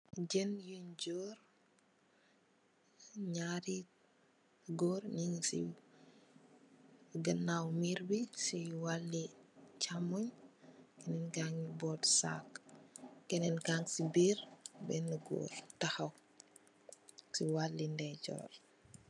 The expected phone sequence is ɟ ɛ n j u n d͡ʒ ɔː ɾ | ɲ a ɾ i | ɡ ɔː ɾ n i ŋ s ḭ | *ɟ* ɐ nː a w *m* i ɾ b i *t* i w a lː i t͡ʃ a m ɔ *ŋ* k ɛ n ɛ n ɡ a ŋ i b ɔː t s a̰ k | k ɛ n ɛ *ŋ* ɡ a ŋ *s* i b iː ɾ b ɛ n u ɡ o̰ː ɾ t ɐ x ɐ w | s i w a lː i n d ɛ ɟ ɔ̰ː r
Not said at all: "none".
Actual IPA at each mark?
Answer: ɡ, m, s, ɲ, n, s

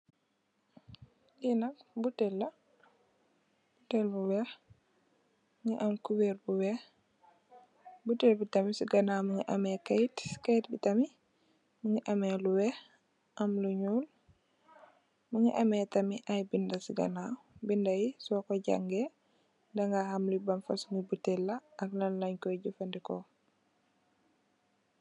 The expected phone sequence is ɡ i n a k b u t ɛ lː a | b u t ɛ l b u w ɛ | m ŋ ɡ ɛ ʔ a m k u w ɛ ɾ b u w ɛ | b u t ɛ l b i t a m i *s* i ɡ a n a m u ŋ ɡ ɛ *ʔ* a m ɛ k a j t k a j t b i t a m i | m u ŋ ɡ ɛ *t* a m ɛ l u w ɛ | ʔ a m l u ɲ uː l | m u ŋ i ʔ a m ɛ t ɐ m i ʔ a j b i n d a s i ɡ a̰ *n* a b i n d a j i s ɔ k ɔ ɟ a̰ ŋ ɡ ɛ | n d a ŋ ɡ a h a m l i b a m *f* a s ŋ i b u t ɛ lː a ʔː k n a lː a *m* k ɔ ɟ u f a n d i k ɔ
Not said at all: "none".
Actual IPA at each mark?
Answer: s, ʔ, ʔ, n, f, ɲ

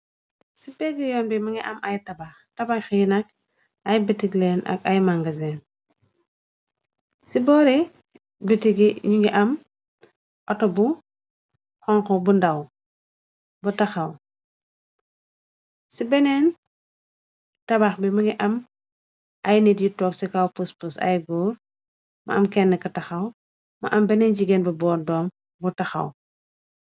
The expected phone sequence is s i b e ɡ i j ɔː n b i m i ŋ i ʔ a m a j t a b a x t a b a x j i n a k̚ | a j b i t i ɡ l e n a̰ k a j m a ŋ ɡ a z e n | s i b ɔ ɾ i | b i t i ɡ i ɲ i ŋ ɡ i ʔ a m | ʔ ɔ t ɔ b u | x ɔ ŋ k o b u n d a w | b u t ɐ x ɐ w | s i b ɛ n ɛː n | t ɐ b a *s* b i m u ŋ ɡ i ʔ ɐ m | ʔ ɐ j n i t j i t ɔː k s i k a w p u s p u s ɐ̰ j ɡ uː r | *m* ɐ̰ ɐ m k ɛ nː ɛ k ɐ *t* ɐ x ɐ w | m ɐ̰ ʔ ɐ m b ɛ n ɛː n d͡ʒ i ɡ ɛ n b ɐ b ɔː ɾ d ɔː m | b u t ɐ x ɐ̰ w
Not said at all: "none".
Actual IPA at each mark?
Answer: x, m, t

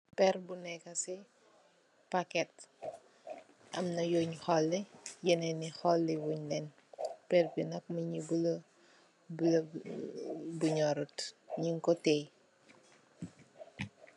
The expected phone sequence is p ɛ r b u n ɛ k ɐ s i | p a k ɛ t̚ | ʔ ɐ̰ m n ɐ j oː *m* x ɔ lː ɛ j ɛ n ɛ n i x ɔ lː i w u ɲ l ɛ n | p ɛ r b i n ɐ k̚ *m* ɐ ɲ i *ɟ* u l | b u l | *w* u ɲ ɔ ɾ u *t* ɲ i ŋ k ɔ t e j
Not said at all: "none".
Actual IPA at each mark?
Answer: ɲ, m, b, b, t

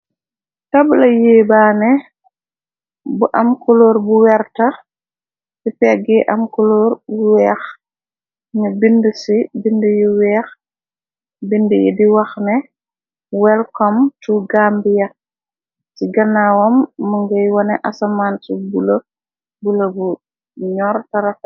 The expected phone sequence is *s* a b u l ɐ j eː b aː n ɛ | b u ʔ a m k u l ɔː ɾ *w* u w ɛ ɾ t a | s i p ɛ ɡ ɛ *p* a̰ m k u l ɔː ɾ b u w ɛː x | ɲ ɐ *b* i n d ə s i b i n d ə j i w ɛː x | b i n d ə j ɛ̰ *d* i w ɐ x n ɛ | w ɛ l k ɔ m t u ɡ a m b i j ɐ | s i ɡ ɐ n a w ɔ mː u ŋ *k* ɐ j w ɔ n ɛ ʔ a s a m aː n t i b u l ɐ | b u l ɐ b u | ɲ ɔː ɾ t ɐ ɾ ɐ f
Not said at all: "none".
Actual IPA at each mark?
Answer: t, b, ʔ, b, d, ɡ

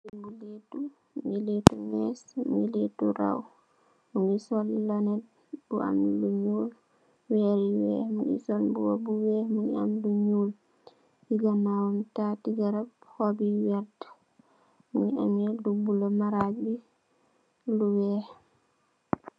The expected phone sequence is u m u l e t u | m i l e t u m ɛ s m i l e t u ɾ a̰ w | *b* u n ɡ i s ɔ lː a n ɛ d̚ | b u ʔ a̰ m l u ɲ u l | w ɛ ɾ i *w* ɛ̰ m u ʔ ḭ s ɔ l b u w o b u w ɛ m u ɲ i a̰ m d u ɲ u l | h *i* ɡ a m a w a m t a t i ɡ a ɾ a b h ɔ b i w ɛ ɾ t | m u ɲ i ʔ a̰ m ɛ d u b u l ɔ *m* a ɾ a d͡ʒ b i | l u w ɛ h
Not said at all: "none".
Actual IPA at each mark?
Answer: m, w, i, m

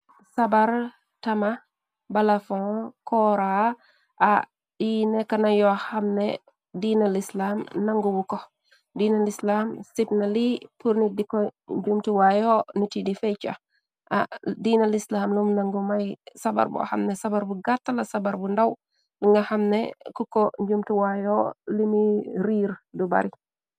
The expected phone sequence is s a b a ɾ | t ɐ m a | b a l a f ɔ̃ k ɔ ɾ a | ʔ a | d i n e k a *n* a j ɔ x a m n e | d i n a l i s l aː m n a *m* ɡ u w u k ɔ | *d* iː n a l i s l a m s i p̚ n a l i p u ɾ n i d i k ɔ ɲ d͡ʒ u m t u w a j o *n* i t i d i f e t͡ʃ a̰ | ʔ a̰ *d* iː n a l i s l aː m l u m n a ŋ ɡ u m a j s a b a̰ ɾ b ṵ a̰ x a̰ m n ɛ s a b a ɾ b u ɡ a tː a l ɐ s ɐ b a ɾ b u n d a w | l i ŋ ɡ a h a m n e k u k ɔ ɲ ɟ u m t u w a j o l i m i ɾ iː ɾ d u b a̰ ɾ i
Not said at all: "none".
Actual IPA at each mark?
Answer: n, ŋ, d, n, d

